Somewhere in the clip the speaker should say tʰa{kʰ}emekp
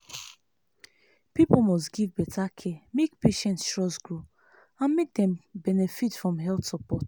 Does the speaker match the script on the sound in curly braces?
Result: yes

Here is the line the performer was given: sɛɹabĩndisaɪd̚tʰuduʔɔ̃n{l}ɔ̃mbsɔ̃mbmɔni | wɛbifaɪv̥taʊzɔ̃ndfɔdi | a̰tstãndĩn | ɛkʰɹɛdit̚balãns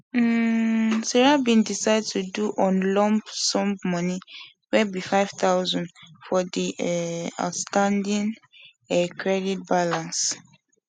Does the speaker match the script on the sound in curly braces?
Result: yes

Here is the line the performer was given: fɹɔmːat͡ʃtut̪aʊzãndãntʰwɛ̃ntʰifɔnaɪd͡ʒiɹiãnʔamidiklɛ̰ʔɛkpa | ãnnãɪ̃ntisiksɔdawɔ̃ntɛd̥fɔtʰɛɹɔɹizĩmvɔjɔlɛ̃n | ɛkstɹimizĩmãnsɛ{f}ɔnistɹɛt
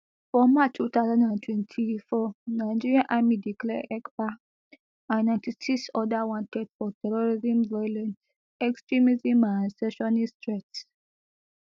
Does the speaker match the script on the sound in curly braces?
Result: no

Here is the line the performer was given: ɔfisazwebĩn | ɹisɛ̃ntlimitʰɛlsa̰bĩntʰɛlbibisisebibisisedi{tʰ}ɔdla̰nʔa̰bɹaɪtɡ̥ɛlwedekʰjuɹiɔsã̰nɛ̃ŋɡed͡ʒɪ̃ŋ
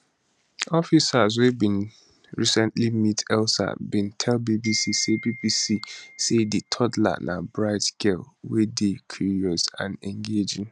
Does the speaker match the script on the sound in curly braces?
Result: yes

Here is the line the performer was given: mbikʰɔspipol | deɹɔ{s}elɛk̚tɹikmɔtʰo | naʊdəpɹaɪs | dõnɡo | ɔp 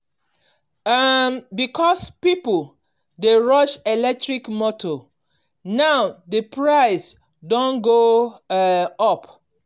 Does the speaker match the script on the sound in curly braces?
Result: no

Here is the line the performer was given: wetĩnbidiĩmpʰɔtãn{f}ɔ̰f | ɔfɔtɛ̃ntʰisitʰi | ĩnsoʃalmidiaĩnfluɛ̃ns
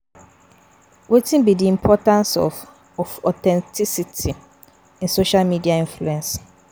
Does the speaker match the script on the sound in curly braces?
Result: no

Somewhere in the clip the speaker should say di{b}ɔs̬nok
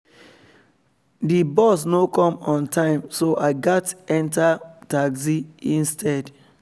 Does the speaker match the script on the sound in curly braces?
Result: yes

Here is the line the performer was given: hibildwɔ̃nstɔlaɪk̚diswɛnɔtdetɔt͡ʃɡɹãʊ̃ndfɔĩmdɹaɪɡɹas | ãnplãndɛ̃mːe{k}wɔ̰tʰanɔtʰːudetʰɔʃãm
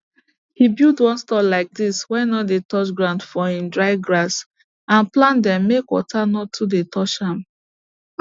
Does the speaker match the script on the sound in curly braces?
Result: yes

